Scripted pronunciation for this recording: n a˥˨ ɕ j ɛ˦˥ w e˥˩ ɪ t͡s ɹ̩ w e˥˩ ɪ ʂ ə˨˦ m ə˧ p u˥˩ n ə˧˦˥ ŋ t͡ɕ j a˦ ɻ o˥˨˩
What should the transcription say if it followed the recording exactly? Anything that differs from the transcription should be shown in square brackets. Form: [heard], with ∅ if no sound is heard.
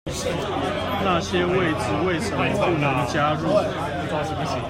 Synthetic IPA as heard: n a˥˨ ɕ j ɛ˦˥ w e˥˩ ɪ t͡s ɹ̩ w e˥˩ ɪ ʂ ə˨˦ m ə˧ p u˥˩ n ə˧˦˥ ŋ t͡ɕ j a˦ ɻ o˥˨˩